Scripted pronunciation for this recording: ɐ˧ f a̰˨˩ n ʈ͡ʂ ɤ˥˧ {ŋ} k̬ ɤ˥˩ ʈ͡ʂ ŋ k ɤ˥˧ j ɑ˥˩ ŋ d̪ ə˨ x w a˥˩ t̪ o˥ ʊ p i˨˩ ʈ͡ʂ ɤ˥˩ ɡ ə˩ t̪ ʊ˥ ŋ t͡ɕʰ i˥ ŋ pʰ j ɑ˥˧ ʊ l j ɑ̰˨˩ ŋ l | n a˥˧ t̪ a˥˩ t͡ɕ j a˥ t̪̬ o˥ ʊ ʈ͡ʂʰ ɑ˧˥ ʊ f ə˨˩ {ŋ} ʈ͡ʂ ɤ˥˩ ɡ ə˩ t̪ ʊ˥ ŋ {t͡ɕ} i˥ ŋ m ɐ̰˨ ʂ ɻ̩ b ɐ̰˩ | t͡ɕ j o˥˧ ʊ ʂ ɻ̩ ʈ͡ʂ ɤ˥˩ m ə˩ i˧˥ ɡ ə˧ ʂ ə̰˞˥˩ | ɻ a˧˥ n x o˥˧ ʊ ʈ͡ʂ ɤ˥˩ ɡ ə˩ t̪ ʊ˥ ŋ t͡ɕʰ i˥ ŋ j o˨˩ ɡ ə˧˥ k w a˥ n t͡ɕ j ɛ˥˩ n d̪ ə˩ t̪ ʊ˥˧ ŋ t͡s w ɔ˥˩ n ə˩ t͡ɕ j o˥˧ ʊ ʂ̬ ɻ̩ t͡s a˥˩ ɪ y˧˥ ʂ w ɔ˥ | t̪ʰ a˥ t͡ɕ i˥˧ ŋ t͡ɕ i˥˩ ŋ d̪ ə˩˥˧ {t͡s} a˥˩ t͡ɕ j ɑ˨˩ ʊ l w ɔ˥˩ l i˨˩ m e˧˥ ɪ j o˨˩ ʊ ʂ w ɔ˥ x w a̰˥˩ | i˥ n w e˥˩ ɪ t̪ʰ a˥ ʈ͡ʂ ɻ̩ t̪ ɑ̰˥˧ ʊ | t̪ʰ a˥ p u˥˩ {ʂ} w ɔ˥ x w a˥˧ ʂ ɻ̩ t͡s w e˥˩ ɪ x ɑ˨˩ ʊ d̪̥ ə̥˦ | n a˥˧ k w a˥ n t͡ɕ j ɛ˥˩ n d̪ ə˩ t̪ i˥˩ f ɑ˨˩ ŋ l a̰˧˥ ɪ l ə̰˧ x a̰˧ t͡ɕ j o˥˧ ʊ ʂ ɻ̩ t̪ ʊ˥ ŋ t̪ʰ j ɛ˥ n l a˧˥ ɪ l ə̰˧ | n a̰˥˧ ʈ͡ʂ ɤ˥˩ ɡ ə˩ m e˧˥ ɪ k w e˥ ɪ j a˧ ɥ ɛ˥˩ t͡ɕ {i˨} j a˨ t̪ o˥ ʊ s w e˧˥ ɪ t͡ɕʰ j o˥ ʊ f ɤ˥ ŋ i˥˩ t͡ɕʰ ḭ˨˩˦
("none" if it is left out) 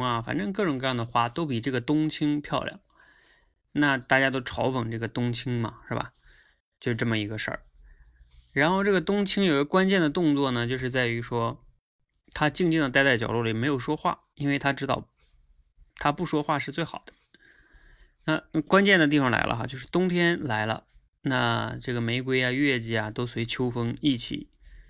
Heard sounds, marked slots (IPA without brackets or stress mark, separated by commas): ŋ, ŋ, t͡ɕʰ, t͡s, ʂ, i˧˥